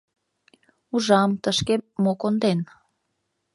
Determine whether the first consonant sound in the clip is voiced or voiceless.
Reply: voiced